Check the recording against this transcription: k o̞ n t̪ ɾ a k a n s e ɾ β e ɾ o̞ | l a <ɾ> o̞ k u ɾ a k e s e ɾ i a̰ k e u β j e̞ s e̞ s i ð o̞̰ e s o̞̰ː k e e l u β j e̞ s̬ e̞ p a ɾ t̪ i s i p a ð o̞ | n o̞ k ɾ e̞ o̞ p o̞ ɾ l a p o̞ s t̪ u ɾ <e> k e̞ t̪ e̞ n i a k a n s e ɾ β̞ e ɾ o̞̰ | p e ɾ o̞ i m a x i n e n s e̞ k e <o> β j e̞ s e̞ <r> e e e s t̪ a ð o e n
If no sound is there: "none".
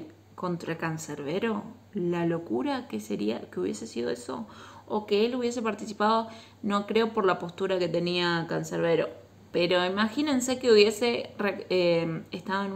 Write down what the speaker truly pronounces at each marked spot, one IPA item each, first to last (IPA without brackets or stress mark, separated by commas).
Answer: l, a, u, r